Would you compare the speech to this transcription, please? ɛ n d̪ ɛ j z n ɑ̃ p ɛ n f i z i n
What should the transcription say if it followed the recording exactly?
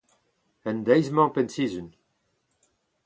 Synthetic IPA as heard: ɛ n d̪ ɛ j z m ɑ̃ p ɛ n s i z y n